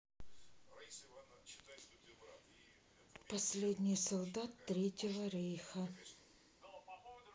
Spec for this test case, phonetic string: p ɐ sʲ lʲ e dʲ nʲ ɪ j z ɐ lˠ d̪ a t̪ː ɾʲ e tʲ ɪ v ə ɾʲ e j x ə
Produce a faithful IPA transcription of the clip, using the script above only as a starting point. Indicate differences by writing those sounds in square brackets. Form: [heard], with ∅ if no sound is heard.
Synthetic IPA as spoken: p ɐ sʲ lʲ e dʲ nʲ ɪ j [s] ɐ lˠ d̪ a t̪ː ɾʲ e tʲ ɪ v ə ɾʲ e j x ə